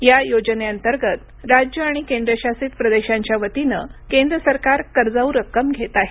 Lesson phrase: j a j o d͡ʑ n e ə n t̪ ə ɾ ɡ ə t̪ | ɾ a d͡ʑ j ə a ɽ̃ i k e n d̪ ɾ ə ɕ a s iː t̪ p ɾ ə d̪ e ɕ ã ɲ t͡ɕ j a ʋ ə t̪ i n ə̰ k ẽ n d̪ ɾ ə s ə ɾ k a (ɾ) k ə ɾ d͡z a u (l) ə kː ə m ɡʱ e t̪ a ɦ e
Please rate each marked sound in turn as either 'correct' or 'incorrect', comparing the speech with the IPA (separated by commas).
correct, incorrect